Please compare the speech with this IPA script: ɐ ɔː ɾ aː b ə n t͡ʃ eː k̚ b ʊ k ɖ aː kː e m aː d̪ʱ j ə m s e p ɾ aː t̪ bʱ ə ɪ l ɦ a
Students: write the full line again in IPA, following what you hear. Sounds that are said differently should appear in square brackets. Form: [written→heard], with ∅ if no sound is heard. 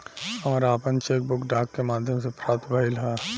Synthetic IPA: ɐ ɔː ɾ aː [b→p] ə n t͡ʃ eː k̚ b ʊ k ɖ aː kː e m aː d̪ʱ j ə m s e p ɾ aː t̪ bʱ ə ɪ l ɦ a